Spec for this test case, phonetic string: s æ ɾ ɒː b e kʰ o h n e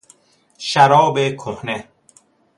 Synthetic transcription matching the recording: ʃ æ ɾ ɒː b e kʰ o h n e